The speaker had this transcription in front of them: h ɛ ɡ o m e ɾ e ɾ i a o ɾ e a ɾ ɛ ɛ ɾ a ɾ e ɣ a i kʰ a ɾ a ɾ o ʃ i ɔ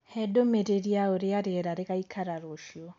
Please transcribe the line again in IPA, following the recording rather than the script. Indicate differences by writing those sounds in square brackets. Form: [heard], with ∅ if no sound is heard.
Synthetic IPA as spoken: h ɛ [d] o m e ɾ e ɾ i a o ɾ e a ɾ [e] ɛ ɾ a ɾ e ɣ a i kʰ a ɾ a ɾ o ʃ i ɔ